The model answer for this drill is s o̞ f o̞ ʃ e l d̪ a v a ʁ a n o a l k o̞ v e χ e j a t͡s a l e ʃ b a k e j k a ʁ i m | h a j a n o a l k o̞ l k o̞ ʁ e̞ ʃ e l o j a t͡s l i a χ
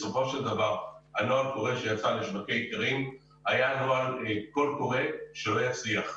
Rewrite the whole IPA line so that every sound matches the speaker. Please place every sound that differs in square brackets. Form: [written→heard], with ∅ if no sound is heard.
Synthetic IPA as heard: s o̞ f o̞ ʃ e l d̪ a v a ʁ a n o a l k o̞ [v→ʁ] e [χ→ʃ] e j a t͡s a l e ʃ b a k e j k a ʁ i m | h a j a n o a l k o̞ l k o̞ ʁ e̞ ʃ e l o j a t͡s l i a χ